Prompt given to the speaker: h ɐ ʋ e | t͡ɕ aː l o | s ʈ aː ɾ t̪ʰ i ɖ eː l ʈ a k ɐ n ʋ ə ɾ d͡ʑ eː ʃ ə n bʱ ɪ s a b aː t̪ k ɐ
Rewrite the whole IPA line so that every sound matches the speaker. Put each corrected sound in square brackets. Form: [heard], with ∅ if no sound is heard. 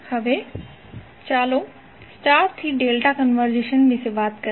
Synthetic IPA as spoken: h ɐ ʋ e | t͡ɕ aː l o | s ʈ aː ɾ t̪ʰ i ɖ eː l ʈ a k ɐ n ʋ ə ɾ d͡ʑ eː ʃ ə n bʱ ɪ s [e] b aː t̪ k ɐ